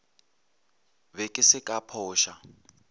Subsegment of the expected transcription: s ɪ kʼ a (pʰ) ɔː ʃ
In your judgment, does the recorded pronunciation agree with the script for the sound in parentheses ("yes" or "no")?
yes